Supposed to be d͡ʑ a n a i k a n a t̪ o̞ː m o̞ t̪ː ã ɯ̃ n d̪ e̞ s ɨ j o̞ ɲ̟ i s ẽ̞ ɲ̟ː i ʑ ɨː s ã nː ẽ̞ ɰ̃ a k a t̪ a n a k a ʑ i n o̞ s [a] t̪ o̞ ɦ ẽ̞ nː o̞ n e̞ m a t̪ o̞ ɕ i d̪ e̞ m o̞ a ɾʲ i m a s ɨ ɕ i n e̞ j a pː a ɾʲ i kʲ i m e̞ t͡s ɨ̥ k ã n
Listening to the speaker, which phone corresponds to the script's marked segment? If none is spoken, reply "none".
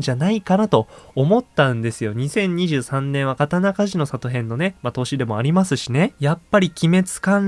a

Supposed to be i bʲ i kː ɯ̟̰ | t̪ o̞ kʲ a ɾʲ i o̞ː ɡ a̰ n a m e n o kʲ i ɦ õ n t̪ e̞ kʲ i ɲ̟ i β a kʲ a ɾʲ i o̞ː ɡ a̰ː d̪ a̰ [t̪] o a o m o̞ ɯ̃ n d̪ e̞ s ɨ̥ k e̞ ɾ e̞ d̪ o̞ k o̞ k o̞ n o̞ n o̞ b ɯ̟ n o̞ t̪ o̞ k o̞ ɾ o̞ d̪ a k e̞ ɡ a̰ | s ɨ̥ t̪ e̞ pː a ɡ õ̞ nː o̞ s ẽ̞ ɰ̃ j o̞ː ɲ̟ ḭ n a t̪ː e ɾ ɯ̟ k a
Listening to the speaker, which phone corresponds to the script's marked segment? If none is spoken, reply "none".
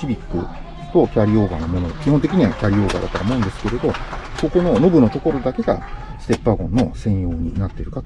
t̪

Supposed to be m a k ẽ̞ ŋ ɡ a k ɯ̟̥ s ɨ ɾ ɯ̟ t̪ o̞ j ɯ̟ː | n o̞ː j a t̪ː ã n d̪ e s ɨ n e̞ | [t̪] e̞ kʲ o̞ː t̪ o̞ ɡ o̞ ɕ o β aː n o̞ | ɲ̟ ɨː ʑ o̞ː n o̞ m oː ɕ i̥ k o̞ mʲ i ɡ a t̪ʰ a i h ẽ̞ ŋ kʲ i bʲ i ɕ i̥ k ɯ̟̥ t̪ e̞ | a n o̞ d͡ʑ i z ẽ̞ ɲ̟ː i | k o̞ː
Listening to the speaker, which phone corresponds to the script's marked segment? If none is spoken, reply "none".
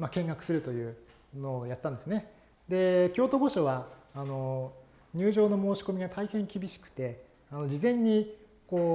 d̪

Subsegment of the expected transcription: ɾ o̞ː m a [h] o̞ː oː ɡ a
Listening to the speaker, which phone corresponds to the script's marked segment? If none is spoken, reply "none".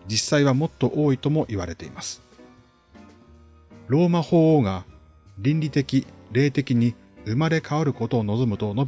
h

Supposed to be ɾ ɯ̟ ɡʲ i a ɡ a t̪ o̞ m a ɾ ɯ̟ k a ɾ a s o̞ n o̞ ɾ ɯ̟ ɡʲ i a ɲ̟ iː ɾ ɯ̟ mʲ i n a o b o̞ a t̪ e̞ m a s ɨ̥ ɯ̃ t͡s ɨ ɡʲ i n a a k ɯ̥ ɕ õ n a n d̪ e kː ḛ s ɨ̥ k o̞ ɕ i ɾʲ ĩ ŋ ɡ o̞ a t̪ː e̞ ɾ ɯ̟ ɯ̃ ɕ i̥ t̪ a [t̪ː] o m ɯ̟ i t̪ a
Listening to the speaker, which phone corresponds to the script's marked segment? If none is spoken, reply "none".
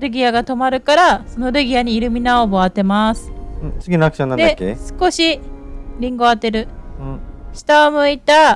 none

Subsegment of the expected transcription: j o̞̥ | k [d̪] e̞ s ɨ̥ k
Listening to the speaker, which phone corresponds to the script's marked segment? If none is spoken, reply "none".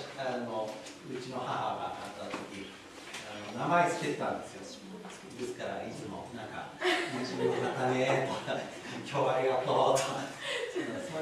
d̪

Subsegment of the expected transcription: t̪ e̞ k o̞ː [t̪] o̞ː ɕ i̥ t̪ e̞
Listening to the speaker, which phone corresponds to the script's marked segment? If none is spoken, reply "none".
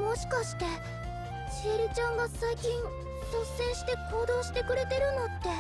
d̪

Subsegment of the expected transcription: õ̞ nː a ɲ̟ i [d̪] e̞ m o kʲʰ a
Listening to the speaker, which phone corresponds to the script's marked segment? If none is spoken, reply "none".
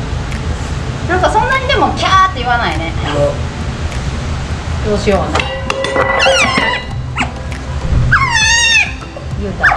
d̪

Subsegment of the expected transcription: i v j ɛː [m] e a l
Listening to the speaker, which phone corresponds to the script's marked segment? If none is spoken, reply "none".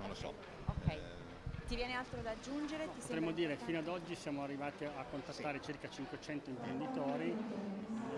n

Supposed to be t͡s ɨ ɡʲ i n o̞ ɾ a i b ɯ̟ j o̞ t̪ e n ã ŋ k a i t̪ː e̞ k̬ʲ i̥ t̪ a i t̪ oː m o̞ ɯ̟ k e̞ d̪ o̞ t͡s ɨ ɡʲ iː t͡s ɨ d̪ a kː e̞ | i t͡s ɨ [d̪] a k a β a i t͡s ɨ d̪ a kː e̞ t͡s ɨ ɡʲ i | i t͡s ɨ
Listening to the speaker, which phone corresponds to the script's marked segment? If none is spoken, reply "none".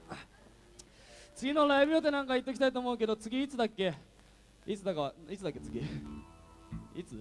d̪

